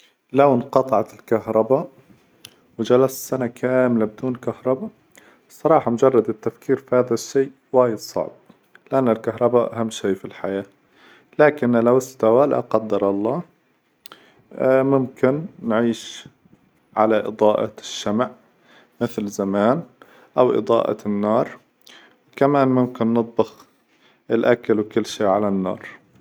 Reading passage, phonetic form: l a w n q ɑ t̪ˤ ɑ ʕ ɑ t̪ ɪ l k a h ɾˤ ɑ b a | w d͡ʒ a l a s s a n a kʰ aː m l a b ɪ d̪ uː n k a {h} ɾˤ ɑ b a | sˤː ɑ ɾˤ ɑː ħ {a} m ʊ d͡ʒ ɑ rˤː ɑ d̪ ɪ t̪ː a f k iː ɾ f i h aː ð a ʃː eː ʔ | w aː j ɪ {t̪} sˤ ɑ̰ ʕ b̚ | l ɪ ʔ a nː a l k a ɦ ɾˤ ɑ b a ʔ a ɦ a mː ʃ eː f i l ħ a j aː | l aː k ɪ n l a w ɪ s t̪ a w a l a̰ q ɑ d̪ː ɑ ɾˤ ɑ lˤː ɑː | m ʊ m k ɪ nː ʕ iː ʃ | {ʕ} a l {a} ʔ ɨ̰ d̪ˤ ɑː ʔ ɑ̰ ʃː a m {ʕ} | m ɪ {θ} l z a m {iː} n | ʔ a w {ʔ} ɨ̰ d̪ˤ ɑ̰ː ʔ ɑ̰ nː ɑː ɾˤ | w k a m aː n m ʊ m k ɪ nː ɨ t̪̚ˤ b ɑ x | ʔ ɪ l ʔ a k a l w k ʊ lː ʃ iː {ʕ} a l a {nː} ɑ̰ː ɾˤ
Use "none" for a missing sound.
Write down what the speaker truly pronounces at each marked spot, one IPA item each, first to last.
h, ɑ, d̪, ʕ, a, ʕ, θ, aː, ʔ, ʕ, nː

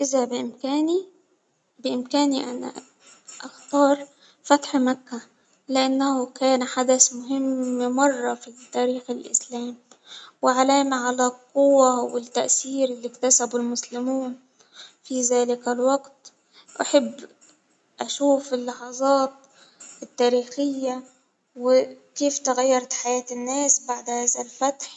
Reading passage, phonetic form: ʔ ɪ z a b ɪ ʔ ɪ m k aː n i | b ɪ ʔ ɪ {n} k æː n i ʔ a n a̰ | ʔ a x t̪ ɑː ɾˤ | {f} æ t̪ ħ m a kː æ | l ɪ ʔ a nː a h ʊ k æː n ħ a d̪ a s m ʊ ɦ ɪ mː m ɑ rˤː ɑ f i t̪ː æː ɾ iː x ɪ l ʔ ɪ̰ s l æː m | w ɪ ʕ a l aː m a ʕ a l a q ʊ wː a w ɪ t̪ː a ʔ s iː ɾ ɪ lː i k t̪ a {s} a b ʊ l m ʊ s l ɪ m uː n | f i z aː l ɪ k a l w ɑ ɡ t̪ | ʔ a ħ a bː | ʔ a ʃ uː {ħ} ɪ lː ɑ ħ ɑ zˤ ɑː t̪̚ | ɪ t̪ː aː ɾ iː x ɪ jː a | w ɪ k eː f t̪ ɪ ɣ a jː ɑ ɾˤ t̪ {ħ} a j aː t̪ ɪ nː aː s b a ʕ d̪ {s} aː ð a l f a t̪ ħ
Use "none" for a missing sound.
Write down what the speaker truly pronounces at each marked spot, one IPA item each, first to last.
m, f, s, f, ħ, h

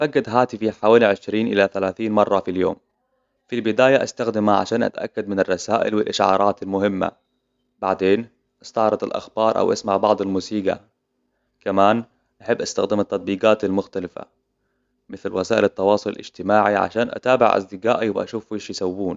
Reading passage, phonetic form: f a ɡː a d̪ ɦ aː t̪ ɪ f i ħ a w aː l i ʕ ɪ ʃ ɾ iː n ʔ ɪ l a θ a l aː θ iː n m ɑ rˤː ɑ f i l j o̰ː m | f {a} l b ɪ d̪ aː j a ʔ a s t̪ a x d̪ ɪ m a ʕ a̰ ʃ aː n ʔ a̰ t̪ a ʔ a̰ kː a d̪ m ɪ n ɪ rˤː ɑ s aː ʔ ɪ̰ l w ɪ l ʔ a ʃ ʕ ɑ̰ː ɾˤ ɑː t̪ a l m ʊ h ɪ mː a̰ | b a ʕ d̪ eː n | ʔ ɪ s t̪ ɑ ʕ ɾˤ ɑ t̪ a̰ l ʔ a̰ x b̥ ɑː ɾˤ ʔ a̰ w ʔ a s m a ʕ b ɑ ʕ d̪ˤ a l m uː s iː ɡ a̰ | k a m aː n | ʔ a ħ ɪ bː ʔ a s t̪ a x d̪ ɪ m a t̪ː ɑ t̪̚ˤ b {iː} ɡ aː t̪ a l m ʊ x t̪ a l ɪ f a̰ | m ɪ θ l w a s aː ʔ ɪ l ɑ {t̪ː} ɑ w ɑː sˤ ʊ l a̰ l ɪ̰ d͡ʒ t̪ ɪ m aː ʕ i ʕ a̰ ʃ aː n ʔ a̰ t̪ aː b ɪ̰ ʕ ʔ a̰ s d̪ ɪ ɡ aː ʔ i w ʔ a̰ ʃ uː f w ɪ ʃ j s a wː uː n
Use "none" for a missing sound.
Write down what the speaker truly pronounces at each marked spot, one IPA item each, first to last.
i, iː, t̪ː

